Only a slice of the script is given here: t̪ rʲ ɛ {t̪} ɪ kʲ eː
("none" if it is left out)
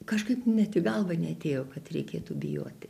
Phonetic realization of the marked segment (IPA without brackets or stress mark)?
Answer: none